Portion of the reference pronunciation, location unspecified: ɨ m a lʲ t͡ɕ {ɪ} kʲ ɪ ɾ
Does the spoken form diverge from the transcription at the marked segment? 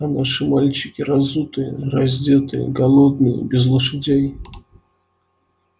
no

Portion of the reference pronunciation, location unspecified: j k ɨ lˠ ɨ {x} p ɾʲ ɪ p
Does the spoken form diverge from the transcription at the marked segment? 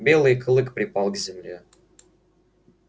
yes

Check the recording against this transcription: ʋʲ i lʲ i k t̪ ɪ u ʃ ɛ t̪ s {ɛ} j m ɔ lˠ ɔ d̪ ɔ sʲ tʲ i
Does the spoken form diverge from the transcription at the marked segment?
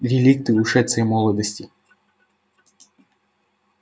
no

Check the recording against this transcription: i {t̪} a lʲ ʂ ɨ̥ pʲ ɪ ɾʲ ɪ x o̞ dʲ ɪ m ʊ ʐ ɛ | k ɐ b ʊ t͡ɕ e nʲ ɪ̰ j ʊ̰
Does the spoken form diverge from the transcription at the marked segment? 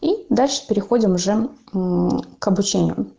yes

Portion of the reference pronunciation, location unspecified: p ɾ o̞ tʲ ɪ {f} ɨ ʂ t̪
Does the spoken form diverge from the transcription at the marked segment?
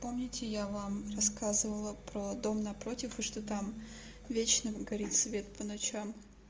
no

